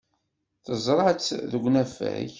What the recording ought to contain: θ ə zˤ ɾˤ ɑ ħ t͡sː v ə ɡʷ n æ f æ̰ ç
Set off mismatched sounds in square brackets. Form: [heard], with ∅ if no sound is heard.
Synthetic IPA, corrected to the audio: θ ə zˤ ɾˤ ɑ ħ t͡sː [ð] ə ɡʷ n æ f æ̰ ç